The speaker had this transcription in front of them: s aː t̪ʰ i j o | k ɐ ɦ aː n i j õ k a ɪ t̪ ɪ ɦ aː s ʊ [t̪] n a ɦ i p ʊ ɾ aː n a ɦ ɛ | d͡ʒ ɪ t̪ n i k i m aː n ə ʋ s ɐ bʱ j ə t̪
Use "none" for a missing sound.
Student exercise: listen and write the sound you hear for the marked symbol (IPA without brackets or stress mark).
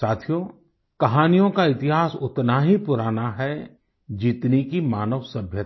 t̪